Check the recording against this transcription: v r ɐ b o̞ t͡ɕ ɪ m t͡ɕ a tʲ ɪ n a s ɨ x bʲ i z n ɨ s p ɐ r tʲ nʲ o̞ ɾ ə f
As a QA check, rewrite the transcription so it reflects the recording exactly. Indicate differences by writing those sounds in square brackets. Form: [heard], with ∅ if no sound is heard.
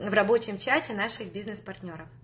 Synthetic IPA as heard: v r ɐ b o̞ t͡ɕ ɪ m t͡ɕ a tʲ ɪ n a [ʂ] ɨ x bʲ i z n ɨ s p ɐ r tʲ nʲ o̞ ɾ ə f